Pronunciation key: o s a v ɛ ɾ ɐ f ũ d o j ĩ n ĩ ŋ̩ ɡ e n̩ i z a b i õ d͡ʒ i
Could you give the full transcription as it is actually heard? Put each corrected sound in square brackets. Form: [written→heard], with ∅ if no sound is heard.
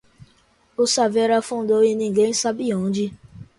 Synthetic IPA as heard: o s a v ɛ ɾ [ɐ→a] f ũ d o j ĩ n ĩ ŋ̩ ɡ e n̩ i [z→s] a b i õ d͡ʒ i